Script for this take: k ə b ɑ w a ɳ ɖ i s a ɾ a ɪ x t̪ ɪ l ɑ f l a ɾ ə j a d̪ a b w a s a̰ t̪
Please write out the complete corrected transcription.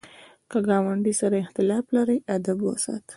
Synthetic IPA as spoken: k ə ɡ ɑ w a ɳ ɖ i s a ɾ a ɪ x t̪ ɪ l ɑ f l a ɾ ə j a d̪ a b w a s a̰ t̪